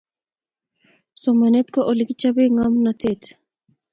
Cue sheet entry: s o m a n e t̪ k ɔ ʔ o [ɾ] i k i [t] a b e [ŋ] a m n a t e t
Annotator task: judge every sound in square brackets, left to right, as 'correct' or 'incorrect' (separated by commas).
incorrect, incorrect, correct